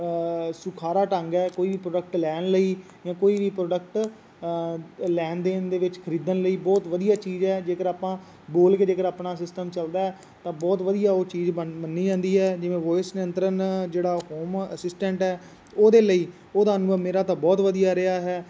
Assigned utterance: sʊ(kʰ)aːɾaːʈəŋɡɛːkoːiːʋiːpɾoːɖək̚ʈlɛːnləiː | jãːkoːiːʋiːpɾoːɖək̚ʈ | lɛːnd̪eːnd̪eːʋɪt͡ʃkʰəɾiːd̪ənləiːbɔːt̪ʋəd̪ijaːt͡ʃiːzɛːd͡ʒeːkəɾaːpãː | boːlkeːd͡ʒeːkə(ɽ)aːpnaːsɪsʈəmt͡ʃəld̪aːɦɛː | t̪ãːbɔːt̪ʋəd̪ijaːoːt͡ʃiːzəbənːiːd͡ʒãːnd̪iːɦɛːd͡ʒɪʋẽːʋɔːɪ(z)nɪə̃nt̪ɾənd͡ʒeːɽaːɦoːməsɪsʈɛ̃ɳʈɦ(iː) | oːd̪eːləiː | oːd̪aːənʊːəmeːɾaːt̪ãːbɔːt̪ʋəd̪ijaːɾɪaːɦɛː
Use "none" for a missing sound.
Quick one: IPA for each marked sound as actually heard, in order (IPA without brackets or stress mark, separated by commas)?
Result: kʰ, ɾ, s, ɛː